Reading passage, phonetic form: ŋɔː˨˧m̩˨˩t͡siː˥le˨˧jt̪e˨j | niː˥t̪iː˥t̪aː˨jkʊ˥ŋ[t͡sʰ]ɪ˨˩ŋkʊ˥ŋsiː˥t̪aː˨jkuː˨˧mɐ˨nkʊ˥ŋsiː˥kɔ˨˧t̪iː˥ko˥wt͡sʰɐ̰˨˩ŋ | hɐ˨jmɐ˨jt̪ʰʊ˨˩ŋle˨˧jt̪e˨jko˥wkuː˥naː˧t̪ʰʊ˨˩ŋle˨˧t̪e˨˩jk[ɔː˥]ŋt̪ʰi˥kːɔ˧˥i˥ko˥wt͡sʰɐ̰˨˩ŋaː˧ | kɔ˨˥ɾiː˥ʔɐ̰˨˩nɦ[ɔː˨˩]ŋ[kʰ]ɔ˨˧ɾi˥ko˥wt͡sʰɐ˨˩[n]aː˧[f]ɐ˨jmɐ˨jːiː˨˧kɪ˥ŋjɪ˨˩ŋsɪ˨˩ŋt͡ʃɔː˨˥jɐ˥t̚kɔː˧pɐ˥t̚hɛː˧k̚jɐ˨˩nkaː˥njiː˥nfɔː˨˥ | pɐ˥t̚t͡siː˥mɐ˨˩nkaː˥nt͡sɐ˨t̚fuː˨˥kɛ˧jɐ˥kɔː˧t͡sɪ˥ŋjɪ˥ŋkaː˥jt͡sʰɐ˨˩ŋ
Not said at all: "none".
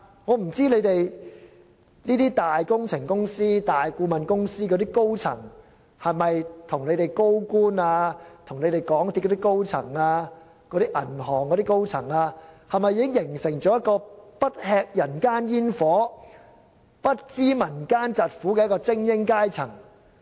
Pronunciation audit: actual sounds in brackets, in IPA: t͡sʰ, ɔː˨˥, ɔː˨˩, k, ŋ, h

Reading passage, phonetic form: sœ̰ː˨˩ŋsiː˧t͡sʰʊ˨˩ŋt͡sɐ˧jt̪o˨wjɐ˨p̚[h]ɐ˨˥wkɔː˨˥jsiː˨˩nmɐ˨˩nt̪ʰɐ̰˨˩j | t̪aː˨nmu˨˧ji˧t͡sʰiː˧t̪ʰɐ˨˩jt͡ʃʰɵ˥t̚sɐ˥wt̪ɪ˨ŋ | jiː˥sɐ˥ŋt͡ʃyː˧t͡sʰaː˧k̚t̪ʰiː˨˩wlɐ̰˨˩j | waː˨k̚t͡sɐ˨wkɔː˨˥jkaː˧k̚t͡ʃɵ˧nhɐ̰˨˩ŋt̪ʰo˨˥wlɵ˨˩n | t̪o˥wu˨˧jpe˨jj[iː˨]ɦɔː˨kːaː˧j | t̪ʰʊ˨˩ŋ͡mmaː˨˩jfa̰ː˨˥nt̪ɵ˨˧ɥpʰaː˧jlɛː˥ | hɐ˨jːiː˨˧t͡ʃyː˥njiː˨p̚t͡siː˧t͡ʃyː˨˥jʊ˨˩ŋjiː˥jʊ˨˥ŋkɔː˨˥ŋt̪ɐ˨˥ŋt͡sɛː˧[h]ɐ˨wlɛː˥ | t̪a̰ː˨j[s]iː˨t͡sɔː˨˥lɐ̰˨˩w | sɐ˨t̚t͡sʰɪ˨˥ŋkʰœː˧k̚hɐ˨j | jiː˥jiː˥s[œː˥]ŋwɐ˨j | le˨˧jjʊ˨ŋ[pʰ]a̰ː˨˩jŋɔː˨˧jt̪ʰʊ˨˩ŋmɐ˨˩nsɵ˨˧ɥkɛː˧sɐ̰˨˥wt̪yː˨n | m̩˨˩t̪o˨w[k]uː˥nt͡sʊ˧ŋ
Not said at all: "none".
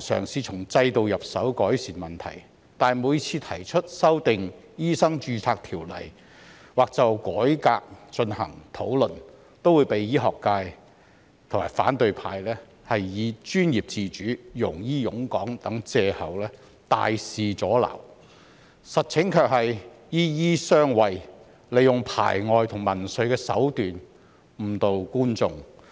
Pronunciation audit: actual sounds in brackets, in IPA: s, iː˥, h, s, œː˥, pʰ, k

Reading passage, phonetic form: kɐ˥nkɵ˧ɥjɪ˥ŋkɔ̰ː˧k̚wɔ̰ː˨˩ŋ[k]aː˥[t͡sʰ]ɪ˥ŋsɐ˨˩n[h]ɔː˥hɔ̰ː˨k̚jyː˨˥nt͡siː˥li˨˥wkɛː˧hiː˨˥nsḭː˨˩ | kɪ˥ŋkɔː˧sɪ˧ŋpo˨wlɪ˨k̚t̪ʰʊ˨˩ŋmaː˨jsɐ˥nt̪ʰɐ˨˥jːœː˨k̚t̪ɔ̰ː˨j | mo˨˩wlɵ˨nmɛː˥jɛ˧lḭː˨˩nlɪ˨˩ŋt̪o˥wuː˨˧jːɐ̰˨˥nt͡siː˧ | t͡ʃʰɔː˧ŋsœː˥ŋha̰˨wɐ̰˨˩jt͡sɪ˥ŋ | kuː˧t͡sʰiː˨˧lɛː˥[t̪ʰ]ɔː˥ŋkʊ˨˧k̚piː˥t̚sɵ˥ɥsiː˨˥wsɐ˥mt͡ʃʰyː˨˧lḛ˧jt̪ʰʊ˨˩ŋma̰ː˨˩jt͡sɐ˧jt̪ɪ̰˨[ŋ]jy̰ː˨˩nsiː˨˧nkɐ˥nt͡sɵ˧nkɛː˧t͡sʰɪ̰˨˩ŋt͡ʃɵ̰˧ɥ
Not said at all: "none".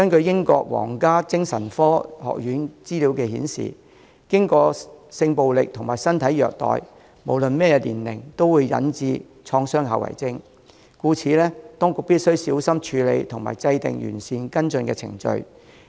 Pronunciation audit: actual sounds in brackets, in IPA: k, t͡s, f, t̪, ŋ

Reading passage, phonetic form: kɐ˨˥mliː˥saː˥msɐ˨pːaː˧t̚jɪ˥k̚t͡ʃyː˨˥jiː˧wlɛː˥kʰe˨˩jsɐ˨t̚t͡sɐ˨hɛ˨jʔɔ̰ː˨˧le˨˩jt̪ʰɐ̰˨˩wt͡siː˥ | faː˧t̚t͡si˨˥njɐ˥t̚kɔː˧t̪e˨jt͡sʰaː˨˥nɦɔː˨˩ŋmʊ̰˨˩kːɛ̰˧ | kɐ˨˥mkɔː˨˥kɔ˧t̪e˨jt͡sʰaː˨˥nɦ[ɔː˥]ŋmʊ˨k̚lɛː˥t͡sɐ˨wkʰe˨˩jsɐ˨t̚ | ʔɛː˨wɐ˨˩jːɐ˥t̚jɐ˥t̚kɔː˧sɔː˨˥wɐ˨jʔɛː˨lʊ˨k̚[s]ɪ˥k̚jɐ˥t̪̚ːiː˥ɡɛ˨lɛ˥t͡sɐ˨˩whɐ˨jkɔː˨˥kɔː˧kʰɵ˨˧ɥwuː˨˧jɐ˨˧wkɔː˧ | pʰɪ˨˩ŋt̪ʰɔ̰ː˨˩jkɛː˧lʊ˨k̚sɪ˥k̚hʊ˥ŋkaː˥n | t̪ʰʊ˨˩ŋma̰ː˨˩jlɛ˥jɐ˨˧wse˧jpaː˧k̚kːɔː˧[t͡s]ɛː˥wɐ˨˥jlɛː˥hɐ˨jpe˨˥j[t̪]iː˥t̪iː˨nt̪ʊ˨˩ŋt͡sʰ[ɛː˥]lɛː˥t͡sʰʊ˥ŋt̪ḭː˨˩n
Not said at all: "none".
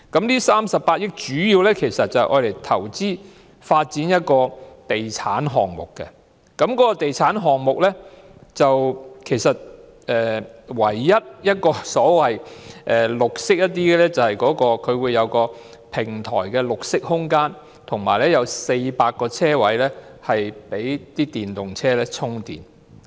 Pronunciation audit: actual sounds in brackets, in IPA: ɔː˨, s, t͡sʰ, t̪, ɛː˥

